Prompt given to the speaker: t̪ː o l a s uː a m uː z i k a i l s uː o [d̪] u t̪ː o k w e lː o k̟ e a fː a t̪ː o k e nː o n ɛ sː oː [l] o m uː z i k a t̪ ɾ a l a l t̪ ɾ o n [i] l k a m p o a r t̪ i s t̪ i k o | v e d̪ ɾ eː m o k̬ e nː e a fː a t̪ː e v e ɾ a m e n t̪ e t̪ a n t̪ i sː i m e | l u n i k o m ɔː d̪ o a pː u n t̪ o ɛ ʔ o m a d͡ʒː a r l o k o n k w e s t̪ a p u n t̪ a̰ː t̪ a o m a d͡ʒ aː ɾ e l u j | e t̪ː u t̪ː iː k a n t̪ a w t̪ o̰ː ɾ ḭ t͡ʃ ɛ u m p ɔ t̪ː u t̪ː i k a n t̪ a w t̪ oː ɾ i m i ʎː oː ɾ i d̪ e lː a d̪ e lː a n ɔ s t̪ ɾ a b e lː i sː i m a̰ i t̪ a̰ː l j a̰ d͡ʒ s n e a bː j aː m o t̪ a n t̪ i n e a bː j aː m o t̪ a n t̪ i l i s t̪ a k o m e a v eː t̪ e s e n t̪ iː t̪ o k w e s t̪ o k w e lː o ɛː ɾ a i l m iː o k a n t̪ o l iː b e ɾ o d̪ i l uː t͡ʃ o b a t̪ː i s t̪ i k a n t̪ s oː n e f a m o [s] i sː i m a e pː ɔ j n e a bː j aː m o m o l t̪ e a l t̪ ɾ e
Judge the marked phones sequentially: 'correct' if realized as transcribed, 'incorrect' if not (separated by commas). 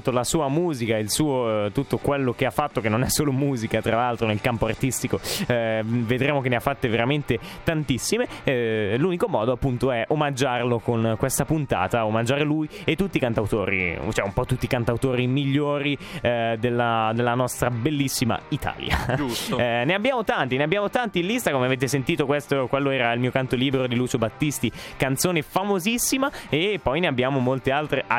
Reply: incorrect, correct, incorrect, incorrect